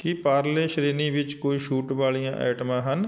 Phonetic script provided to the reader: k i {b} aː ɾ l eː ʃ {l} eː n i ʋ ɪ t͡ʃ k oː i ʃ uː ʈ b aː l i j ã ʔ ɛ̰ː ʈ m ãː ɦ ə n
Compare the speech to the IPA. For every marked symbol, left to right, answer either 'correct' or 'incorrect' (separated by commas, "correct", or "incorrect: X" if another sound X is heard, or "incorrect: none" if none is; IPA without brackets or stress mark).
incorrect: p, incorrect: ɾ